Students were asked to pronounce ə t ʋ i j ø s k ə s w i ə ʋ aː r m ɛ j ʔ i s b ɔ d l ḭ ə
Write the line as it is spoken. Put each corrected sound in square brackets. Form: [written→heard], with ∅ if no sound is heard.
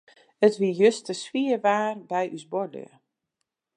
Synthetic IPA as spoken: ə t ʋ i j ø s [k→t] ə s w i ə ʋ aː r [m→b] ɛ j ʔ [i→y] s b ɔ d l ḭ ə